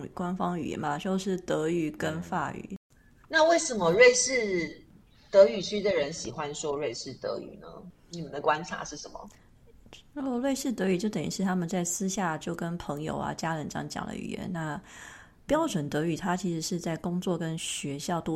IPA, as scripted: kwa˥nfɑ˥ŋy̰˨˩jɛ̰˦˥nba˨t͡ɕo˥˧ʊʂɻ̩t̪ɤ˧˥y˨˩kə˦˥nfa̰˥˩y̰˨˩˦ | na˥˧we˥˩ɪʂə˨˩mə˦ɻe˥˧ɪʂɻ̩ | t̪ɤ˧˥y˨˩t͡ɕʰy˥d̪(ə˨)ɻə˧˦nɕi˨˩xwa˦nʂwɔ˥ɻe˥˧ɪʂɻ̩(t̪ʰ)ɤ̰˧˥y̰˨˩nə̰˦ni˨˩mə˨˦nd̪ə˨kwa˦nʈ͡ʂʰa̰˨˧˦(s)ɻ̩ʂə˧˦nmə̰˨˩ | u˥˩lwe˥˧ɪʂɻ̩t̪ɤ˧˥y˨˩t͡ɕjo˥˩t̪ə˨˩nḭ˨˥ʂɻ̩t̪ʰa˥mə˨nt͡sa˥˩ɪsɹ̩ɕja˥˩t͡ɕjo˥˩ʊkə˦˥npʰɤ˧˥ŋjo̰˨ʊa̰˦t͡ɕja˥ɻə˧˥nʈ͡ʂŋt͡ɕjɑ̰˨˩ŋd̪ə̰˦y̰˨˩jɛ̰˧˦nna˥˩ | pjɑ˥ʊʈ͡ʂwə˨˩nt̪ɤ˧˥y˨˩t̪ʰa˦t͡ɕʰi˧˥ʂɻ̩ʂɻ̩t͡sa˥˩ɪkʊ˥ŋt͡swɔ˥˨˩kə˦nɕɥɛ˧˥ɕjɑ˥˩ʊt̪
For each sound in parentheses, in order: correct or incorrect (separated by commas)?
correct, incorrect, incorrect